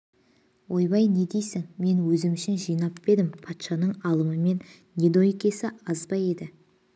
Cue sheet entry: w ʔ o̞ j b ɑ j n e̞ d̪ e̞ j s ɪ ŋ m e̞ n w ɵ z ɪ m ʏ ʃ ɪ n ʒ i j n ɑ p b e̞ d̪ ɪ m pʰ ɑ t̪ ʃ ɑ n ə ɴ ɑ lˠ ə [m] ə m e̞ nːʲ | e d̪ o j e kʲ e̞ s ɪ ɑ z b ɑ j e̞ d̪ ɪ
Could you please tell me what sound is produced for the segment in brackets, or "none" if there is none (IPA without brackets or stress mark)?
m